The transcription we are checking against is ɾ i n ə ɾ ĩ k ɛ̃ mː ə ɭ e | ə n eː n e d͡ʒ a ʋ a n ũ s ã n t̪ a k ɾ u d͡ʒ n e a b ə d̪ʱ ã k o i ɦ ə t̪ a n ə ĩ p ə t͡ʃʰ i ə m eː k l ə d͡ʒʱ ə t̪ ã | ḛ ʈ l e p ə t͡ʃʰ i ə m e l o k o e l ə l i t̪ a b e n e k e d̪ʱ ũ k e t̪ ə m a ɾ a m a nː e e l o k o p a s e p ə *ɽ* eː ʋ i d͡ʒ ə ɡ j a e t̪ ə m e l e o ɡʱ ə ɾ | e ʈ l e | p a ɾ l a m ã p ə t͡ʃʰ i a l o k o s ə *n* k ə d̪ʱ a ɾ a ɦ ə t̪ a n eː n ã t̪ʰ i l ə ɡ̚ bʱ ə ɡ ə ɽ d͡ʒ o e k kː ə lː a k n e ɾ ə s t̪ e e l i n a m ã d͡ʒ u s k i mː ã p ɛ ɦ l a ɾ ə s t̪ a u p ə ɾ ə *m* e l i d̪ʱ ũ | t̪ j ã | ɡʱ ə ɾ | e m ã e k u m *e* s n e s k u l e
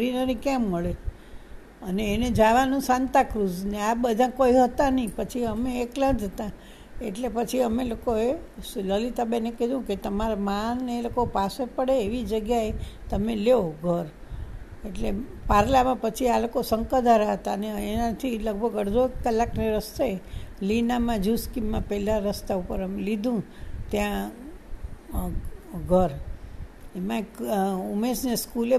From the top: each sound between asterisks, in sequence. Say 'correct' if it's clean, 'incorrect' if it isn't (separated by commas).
correct, incorrect, correct, correct